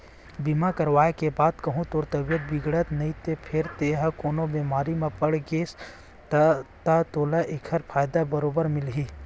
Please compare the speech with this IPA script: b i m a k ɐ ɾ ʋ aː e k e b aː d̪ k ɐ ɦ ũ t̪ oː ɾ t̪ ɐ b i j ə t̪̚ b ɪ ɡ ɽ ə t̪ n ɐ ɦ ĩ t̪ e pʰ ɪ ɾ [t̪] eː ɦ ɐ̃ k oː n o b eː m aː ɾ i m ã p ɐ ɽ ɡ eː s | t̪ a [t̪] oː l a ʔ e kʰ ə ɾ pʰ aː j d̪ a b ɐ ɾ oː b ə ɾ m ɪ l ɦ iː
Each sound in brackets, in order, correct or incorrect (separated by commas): correct, correct